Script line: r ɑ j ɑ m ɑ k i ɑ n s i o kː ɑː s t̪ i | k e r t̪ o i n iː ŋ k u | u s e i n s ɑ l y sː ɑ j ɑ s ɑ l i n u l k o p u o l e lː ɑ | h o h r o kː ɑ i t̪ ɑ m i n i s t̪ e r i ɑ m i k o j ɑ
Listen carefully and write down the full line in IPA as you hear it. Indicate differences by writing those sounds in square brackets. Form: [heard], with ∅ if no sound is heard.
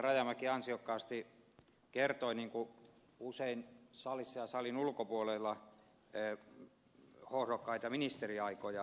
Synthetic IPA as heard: r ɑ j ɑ m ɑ k i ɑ n s i o kː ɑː s t̪ i | k e r t̪ o i n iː ŋ k u | u s e i n s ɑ l [i] sː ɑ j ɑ s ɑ l i n u l k o p u o l e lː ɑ | h o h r o kː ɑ i t̪ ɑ m i n i s t̪ e r i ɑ [∅] i k o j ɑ